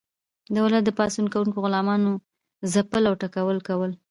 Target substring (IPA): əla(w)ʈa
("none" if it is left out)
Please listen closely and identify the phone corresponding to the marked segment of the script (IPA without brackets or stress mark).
w